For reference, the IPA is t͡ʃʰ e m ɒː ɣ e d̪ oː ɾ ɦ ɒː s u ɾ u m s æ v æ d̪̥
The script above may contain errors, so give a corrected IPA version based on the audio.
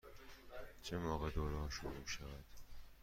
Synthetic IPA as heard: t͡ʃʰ e m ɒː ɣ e d̪ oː ɾ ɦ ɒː ʃ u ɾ u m ʃ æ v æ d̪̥

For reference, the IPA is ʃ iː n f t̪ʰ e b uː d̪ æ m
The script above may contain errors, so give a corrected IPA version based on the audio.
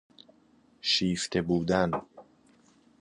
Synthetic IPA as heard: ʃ iː f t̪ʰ e b uː d̪ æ n

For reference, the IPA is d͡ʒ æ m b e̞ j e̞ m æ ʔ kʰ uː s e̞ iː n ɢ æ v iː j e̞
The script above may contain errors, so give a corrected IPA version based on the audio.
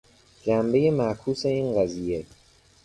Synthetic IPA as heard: d͡ʒ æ m b e̞ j e̞ m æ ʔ kʰ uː s e̞ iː n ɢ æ z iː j e̞

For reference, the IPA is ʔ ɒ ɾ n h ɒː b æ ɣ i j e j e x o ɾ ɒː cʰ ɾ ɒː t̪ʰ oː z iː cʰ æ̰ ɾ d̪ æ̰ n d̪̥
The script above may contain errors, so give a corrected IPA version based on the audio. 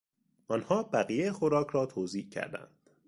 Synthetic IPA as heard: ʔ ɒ n h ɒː b æ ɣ i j e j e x o ɾ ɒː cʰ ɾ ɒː t̪ʰ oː z iː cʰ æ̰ ɾ d̪ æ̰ n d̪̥

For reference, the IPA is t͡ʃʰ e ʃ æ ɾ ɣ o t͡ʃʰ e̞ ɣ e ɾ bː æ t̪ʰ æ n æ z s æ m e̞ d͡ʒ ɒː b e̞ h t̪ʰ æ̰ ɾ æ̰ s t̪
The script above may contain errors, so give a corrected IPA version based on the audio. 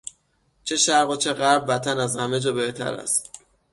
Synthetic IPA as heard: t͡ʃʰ e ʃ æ ɾ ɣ o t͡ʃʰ e̞ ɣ æ ɾ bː æ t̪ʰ æ n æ z h æ m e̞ d͡ʒ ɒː b e̞ h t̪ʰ æ̰ ɾ æ̰ s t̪

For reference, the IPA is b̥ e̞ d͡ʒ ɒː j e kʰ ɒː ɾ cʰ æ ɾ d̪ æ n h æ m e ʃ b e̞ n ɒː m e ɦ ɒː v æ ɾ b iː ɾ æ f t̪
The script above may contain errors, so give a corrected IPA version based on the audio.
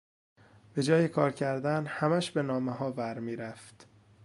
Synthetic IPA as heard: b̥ e̞ d͡ʒ ɒː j e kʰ ɒː ɾ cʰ æ ɾ d̪ æ n h æ m æ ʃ b e̞ n ɒː m e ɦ ɒː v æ ɾ m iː ɾ æ f t̪

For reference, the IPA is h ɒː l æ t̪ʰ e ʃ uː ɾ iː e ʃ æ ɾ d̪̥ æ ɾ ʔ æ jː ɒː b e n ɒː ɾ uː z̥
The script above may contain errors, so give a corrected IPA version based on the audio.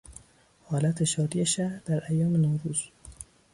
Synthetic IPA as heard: h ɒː l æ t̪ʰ e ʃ ɒː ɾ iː e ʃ æ ɾ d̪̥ æ ɾ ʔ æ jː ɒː m e n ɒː ɾ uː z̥

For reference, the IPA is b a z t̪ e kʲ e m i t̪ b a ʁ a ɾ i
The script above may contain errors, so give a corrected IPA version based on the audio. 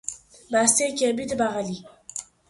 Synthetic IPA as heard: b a s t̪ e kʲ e b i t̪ b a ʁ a l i

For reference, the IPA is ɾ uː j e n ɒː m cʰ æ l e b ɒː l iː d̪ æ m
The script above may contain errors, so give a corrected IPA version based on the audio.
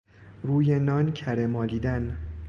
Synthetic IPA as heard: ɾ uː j e n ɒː n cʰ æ ɾ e m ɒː l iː d̪ æ n

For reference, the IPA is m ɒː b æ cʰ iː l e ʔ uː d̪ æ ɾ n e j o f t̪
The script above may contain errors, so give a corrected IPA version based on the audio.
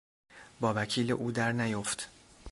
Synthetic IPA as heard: b ɒː v æ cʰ iː l e ʔ uː d̪ æ ɾ n æ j o f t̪

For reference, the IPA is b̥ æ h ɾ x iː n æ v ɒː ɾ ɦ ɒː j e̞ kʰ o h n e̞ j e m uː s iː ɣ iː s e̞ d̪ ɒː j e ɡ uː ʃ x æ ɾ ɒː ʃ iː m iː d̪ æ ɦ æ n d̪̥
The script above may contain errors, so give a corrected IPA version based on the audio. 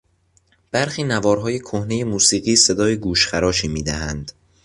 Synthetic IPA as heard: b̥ æ ɾ x iː n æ v ɒː ɾ ɦ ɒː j e̞ kʰ o h n e̞ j e m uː s iː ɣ iː s e̞ d̪ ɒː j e ɡ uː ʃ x æ ɾ ɒː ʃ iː m iː d̪ æ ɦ æ n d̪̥

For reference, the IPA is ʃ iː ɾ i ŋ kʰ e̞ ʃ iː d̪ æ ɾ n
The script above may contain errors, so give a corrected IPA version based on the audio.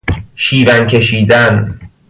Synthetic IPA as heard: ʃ iː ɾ æ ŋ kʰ e̞ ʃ iː d̪ æ n

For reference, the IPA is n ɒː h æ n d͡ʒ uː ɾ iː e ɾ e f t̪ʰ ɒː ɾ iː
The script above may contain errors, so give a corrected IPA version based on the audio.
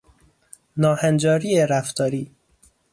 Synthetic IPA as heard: n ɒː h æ n d͡ʒ ɒː ɾ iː e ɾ æ f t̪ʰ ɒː ɾ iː

